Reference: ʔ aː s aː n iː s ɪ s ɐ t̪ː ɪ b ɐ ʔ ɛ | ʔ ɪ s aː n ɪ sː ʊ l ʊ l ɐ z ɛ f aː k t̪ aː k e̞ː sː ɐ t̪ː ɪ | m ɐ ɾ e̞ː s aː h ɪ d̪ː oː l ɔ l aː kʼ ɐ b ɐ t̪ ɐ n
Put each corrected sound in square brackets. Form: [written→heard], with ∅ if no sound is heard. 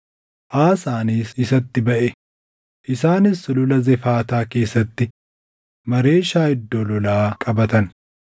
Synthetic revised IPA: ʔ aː s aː n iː s ɪ s ɐ t̪ː ɪ b ɐ ʔ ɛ | ʔ ɪ s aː n ɪ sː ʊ l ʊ l ɐ z ɛ f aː [k→∅] t̪ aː k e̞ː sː ɐ t̪ː ɪ | m ɐ ɾ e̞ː [s→ʃ] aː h ɪ d̪ː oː l ɔ l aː kʼ ɐ b ɐ t̪ ɐ n